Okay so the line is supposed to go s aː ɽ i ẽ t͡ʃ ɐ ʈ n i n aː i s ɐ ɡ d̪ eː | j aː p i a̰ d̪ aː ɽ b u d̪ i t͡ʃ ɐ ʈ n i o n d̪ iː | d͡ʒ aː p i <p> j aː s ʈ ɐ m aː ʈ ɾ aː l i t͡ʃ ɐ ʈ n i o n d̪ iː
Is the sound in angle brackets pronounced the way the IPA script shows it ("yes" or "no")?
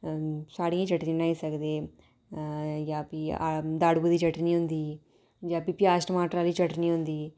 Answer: yes